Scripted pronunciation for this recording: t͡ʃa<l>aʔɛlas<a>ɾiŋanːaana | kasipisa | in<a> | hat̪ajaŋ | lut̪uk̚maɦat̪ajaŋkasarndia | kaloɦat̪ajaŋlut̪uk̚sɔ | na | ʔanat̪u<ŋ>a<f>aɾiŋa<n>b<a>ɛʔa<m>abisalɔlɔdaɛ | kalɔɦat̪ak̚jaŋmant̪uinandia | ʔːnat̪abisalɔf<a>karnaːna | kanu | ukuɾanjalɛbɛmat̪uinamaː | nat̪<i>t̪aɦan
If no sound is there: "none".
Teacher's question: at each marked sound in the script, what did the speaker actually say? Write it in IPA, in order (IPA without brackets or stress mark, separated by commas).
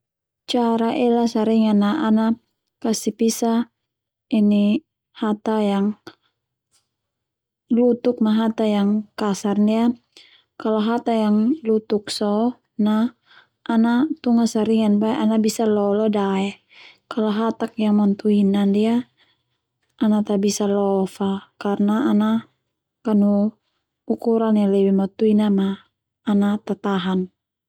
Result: ɾ, a, i, ŋ, s, n, a, n, a, a